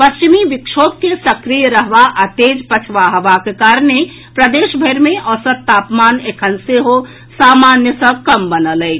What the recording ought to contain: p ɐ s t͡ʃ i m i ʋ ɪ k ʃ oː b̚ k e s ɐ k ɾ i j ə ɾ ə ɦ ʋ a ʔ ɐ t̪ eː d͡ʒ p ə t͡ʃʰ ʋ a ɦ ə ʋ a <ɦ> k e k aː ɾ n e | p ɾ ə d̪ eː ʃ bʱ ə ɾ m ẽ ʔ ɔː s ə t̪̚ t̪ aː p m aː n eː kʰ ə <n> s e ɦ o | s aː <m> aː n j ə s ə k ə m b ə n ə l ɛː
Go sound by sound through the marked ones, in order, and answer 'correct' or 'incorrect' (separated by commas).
incorrect, correct, correct